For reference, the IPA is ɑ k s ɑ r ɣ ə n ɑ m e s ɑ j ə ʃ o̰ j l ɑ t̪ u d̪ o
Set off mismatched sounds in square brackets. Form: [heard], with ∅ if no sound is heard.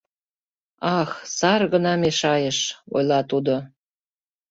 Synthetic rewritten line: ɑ [x] s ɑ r ɣ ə n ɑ m e [ʃ] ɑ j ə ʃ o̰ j l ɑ t̪ u d̪ o